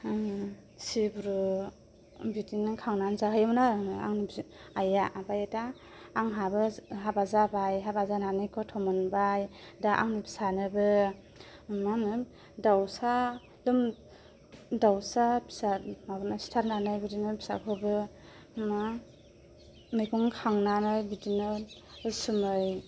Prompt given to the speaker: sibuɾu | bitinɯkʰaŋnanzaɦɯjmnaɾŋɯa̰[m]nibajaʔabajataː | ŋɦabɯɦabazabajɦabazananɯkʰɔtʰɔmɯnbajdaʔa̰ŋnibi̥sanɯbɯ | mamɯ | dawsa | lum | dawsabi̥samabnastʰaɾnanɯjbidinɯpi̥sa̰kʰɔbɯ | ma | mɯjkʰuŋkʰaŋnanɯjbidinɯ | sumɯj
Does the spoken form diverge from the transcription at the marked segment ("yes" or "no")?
yes